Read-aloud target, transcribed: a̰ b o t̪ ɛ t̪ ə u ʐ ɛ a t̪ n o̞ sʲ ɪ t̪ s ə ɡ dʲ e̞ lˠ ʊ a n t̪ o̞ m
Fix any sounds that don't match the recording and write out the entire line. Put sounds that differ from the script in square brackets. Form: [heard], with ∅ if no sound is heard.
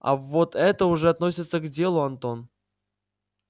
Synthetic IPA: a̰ [v] o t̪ ɛ t̪ ə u ʐ ɛ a t̪ n o̞ sʲ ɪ t̪ s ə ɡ dʲ e̞ lˠ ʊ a n t̪ o̞ [n]